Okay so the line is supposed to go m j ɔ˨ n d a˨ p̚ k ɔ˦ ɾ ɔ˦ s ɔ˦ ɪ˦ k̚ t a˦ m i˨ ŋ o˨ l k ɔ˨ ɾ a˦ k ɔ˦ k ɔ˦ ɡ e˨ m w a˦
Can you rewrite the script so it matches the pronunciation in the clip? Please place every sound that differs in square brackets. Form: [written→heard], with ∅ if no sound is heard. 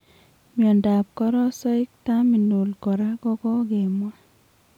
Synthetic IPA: m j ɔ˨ n d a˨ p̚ k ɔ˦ ɾ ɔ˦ s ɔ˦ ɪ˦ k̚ t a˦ m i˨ [ŋ→n] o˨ l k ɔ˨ ɾ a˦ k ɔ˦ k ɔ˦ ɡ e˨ m w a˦